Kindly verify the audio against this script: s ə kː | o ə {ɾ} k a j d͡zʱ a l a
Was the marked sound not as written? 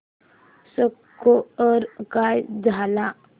no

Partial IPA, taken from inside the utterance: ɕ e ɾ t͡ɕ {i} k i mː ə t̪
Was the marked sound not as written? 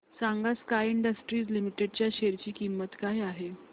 yes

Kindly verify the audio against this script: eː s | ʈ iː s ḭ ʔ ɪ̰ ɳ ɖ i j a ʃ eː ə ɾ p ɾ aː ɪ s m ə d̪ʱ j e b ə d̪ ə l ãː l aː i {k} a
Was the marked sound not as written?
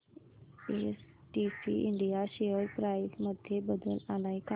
no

